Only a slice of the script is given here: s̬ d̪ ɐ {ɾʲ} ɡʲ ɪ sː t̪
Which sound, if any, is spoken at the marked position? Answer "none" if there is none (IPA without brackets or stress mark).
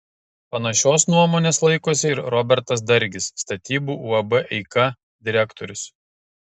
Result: ɾʲ